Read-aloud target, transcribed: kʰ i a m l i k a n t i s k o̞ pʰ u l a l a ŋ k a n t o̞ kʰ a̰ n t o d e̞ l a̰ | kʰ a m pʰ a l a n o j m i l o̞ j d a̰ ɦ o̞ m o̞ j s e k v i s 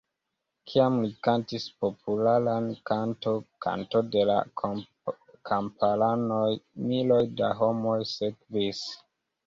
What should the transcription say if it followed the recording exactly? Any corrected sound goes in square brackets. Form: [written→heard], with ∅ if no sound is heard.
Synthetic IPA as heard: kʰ i a m l i k a n t i s [k→p] o̞ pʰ u l a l a [ŋ→n] k a n t o̞ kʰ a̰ n t o d e̞ l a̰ | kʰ a m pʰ a l a n o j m i l o̞ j d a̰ ɦ o̞ m o̞ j s e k v i s